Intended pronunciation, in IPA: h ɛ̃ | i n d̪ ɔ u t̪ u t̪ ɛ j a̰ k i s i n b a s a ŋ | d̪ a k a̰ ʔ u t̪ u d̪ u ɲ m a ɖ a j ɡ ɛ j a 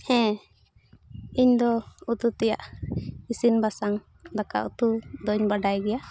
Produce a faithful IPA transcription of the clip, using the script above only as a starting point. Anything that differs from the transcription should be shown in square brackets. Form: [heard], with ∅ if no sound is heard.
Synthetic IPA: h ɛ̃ | i [ɲ] d̪ ɔ u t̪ u t̪ ɛ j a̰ [ʔ] i s i n b a s a ŋ | d̪ a k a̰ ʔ u t̪ u d̪ [ɔ] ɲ [b] a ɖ a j ɡ ɛ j a